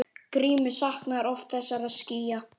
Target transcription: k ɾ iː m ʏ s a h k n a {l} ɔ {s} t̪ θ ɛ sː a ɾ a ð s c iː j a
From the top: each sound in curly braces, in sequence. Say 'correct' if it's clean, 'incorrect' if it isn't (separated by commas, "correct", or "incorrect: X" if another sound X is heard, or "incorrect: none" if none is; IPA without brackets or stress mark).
incorrect: ɾ, incorrect: f